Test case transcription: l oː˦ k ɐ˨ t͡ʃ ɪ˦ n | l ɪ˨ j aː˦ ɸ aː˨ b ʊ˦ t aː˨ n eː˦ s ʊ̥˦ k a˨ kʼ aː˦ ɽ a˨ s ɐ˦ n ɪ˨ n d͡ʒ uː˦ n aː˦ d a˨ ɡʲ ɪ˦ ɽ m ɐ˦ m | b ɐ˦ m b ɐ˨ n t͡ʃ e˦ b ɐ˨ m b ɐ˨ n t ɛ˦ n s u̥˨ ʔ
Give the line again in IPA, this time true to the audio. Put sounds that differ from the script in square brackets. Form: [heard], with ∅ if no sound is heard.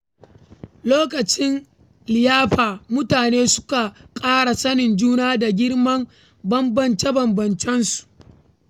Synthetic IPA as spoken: l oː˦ k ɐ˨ t͡ʃ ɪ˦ n | l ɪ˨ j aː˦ ɸ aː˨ [m] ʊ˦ t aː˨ n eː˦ s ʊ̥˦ k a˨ kʼ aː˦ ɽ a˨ s ɐ˦ n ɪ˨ n d͡ʒ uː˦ n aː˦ d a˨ ɡʲ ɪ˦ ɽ m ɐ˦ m | b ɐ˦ m b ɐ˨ n t͡ʃ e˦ b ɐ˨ m b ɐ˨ n [t͡ʃ] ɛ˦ n s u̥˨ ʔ

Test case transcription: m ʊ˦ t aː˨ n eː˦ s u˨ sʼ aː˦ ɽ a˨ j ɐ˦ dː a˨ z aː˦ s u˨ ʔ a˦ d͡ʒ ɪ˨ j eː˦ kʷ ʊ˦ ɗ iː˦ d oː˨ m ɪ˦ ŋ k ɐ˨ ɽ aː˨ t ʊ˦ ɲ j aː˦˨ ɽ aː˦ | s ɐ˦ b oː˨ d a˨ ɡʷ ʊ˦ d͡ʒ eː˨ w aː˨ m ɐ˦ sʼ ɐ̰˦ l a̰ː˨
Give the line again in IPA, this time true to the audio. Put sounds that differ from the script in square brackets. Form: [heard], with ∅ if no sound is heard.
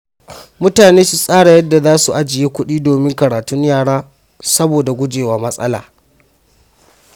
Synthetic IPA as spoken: m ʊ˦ t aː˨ n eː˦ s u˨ sʼ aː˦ ɽ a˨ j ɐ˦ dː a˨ z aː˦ s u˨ ʔ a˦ d͡ʒ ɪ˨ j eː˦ kʷ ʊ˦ ɗ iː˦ d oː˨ m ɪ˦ ŋ k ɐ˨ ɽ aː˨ t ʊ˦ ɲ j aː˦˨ ɽ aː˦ | s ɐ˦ b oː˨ d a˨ ɡʷ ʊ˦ d͡ʒ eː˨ w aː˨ m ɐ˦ sʼ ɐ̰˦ l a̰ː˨

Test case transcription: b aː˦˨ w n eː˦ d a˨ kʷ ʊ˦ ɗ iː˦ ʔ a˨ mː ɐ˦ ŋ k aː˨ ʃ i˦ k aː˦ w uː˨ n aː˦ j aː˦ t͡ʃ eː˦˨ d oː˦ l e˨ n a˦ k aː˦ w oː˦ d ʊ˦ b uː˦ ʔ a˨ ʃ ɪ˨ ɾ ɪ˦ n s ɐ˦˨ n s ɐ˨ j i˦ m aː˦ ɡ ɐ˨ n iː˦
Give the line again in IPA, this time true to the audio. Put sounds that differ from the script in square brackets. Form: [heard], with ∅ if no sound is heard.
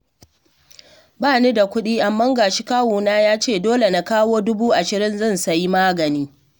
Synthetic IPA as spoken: b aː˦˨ [∅] n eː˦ d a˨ kʷ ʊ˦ ɗ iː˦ ʔ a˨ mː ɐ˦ ŋ [ɡ] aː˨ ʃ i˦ k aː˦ w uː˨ n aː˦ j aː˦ t͡ʃ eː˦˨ d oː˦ l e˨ n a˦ k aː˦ w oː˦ d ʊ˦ b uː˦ ʔ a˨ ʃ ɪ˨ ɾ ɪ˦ n [z] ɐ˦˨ n s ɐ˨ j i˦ m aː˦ ɡ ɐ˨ n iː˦

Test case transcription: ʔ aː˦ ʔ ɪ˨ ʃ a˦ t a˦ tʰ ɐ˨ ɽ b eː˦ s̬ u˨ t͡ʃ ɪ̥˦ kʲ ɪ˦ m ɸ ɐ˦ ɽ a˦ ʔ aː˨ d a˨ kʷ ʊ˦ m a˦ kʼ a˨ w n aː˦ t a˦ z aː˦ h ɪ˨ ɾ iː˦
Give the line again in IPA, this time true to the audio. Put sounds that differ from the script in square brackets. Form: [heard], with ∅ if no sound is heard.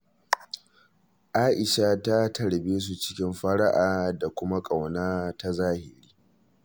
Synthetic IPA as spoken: ʔ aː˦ ʔ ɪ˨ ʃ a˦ t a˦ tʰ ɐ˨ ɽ b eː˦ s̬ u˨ t͡ʃ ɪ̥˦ kʲ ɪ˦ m ɸ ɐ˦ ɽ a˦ ʔ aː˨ d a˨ kʷ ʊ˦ m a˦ kʼ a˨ w n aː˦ t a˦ z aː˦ h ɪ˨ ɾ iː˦

